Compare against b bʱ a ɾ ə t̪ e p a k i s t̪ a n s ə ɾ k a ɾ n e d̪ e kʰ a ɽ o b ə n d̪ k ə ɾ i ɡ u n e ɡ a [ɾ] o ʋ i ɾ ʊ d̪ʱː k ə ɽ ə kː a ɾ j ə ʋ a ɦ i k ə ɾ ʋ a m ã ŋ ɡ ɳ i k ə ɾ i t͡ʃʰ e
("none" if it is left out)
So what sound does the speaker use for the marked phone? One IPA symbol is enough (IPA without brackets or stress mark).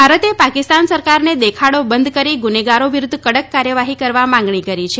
ɾ